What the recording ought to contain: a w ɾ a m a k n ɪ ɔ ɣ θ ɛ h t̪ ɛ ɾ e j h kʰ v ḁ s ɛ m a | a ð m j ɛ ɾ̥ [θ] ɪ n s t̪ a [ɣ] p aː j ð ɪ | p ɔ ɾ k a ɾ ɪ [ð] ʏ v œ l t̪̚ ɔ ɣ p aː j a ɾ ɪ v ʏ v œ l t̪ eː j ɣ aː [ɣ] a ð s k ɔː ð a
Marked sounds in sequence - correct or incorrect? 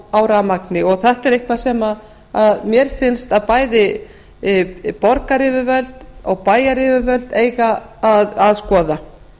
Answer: incorrect: f, incorrect: ð, incorrect: v, incorrect: ð

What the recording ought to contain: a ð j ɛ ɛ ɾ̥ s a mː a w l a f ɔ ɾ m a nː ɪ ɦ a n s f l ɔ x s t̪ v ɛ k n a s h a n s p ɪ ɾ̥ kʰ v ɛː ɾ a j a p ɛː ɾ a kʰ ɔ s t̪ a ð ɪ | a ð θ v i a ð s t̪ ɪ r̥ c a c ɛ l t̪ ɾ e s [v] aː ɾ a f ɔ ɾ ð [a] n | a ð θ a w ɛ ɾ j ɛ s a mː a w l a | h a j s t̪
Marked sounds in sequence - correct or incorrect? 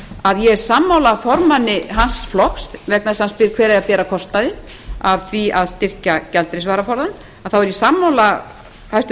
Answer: correct, correct

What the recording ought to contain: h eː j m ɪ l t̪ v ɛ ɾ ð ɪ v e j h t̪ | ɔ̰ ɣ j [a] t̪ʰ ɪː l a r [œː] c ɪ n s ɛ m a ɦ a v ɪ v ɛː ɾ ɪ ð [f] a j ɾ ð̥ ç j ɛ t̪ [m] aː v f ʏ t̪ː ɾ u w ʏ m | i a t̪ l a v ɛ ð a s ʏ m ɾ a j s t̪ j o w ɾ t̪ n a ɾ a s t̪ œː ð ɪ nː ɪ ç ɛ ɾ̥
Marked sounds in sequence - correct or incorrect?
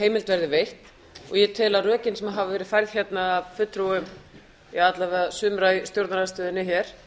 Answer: incorrect: ɛ, correct, correct, incorrect: n

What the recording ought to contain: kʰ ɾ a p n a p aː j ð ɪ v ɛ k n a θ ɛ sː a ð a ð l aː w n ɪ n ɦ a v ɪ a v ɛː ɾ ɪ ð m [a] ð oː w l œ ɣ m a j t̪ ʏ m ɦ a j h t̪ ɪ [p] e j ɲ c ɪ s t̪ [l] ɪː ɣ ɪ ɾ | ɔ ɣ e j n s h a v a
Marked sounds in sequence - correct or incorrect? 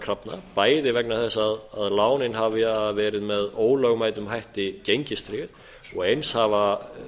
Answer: incorrect: ɛ, incorrect: c, incorrect: ɾ

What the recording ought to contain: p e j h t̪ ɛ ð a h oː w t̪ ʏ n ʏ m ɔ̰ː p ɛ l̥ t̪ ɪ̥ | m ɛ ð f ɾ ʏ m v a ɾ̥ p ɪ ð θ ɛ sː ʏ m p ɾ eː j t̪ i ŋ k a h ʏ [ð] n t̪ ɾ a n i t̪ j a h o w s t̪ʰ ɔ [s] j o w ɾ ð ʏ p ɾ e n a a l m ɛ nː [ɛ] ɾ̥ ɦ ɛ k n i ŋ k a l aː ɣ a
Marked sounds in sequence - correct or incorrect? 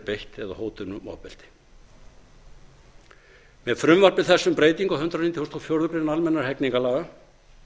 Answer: incorrect: none, incorrect: f, incorrect: a

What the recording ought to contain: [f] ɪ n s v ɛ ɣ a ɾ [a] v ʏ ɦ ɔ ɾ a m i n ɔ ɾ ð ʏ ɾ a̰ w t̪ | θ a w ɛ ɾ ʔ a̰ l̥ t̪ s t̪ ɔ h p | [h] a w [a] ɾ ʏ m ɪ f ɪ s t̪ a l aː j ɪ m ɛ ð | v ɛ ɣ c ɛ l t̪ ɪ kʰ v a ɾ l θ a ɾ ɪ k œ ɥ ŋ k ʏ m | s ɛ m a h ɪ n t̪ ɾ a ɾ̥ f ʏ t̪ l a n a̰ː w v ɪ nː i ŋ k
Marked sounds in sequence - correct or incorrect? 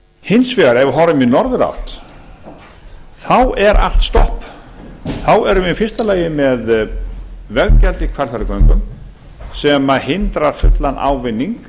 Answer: incorrect: h, incorrect: ɛ, incorrect: θ, incorrect: ɛ

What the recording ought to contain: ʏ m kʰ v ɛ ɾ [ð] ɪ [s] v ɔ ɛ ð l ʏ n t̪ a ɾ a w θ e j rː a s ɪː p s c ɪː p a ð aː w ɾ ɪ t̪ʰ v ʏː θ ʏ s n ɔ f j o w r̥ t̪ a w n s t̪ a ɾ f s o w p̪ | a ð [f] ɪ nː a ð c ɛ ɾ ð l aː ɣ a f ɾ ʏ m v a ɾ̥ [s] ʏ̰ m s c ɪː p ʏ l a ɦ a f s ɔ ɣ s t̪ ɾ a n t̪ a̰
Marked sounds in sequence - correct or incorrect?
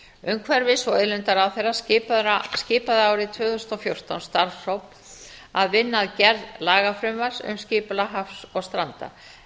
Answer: incorrect: v, correct, incorrect: v, correct

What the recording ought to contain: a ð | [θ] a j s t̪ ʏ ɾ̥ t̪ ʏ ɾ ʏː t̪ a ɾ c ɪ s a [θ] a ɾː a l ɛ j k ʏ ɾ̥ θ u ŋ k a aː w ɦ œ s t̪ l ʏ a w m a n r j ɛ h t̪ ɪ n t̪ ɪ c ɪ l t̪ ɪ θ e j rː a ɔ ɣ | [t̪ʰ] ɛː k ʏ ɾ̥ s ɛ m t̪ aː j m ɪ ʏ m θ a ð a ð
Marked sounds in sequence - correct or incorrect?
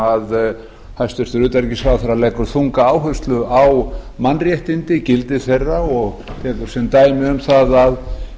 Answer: incorrect: h, correct, correct

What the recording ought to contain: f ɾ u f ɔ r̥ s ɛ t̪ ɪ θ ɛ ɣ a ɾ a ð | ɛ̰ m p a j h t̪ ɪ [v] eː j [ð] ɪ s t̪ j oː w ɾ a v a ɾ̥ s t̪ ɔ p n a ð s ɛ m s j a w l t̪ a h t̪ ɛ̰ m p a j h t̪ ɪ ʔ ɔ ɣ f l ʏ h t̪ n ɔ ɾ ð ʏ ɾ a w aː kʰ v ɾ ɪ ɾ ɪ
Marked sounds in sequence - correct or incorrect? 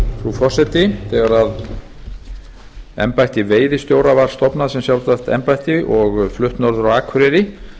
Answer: correct, correct

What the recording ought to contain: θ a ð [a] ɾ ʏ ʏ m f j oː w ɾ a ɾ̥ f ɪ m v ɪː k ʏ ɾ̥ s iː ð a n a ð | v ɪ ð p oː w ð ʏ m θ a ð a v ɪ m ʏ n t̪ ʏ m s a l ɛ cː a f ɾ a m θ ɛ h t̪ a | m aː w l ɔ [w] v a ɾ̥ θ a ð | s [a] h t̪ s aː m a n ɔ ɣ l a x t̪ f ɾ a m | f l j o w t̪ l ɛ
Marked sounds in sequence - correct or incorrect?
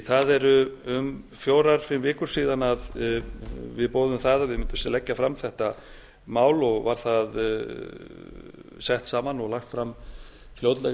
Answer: incorrect: ɛ, incorrect: ɣ, incorrect: ɛ

